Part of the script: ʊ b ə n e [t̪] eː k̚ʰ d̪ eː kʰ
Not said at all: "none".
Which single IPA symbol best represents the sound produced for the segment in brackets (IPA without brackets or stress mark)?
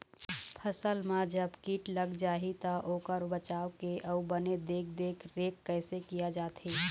d̪